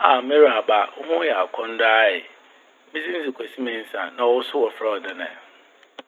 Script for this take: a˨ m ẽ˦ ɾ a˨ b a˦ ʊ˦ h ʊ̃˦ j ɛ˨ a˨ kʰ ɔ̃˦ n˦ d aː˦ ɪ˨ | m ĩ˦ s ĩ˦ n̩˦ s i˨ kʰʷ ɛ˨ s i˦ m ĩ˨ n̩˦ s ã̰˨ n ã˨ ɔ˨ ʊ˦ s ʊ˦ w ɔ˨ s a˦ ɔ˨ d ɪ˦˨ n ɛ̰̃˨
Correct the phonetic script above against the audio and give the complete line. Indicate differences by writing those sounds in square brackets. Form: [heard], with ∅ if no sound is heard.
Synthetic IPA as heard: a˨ m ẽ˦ ɾ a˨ b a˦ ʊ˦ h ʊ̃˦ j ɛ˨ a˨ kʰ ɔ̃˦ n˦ d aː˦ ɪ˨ | m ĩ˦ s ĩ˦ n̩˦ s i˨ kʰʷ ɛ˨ s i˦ m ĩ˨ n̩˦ s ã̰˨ n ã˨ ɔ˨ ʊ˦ s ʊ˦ w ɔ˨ [f] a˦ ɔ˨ d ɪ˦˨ n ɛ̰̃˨